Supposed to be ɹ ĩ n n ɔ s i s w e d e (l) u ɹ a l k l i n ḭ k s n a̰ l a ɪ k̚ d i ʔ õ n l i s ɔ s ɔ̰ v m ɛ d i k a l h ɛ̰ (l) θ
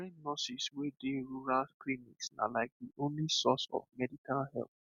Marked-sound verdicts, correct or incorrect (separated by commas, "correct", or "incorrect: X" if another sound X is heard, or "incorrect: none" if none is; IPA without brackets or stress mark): incorrect: ɹ, correct